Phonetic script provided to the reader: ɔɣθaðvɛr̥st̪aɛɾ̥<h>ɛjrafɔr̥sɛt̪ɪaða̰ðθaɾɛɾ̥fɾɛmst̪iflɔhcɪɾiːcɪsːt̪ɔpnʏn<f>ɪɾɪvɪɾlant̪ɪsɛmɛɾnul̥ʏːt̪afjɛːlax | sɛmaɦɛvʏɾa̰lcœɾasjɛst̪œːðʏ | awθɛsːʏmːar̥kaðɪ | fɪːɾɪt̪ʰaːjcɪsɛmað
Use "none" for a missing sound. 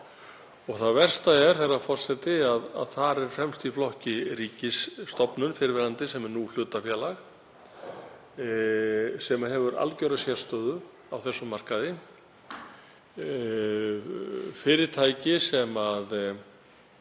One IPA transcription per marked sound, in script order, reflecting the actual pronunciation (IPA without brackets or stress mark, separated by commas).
θ, f